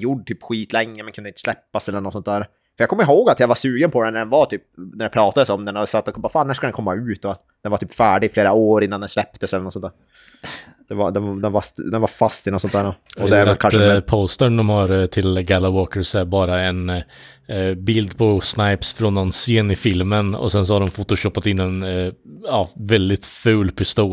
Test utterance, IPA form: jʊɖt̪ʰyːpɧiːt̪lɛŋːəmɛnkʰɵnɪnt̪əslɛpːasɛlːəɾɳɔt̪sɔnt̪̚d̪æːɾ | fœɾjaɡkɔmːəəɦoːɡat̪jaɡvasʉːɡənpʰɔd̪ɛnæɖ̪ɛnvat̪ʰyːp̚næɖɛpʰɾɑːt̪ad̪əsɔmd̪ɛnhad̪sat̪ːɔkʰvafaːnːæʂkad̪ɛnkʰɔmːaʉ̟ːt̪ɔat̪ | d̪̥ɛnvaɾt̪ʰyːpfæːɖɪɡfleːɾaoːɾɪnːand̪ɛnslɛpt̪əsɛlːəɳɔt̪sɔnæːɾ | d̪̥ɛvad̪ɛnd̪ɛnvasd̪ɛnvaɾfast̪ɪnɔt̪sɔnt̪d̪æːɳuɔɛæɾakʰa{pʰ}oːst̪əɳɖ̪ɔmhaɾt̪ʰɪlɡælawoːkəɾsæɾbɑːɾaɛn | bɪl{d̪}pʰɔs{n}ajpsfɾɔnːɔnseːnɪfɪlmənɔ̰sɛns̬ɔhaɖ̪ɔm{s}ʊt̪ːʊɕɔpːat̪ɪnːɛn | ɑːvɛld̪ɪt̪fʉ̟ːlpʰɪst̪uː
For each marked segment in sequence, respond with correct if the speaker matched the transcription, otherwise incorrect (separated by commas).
correct, correct, correct, incorrect